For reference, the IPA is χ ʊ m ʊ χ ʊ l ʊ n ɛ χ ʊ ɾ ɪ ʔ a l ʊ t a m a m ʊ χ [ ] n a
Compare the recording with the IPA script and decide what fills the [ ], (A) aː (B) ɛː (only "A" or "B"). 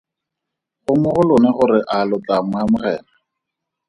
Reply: B